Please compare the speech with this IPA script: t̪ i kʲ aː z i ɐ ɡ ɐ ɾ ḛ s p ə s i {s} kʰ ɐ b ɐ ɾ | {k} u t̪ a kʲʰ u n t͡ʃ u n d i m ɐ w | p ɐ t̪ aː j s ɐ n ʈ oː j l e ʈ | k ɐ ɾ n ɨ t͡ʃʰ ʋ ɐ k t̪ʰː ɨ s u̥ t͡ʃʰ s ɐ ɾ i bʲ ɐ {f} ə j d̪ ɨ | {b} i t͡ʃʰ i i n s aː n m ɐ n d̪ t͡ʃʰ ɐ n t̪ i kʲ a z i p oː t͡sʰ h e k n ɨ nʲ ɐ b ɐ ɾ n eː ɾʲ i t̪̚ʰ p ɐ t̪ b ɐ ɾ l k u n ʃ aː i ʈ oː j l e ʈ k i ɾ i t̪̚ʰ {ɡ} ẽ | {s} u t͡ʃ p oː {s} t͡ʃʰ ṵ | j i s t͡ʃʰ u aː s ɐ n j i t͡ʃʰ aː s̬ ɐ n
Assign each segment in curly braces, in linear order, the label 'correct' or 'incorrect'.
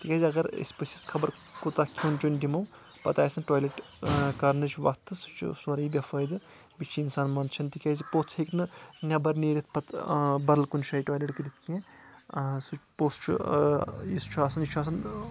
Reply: correct, correct, correct, correct, incorrect: k, correct, correct

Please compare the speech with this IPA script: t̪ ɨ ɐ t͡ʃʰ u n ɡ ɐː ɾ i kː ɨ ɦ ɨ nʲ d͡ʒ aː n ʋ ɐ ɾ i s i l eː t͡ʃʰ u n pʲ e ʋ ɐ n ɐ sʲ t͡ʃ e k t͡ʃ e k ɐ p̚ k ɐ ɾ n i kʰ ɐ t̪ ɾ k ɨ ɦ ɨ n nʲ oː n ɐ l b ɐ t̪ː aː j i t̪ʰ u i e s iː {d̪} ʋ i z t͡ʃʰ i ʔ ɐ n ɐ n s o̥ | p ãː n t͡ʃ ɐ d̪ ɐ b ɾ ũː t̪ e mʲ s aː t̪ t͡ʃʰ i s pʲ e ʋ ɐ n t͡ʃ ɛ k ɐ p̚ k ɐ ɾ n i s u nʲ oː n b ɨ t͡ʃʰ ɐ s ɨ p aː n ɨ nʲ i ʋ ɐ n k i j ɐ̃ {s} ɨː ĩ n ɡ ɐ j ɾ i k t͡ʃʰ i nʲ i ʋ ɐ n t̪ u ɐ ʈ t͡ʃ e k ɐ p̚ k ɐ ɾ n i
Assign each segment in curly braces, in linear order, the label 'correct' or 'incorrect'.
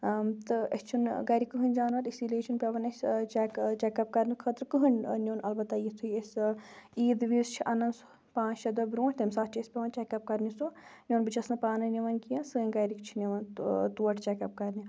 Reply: correct, correct

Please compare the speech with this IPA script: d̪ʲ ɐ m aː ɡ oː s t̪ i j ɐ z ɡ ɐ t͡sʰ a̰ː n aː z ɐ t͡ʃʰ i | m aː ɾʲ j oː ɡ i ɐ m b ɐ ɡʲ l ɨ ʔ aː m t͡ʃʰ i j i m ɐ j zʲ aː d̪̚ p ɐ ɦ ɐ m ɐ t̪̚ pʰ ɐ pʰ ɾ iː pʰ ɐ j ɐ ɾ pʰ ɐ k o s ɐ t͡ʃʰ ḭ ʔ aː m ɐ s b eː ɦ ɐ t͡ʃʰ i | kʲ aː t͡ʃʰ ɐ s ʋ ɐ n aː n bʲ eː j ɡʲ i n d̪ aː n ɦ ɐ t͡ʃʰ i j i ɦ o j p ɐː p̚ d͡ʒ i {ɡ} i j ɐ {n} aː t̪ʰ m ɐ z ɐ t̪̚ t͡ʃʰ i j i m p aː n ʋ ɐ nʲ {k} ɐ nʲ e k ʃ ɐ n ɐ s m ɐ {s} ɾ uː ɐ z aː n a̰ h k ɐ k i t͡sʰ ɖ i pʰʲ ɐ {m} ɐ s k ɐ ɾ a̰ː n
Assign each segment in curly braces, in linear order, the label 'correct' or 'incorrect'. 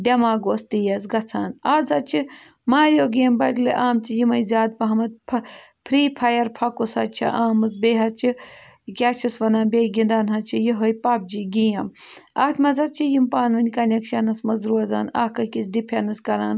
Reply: correct, incorrect: m, correct, incorrect: z, incorrect: n

